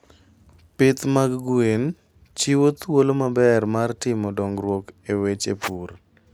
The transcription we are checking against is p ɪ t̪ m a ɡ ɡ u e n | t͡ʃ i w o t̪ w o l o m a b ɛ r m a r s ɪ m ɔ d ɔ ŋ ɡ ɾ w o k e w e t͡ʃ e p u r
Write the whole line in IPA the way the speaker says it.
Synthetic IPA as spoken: p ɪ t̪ m a ɡ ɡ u e n | t͡ʃ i w o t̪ w o l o m a b ɛ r m a r t ɪ m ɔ d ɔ ŋ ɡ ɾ w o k e w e t͡ʃ e p u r